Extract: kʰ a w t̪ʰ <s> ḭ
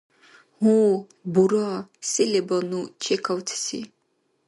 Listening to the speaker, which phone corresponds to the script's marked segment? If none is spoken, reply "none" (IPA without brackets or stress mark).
s